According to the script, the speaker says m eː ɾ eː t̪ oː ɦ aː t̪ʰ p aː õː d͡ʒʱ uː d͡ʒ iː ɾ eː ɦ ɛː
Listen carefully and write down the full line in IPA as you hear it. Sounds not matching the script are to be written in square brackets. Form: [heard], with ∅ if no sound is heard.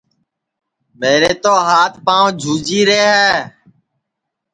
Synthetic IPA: m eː ɾ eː t̪ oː ɦ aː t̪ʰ p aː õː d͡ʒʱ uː d͡ʒ iː ɾ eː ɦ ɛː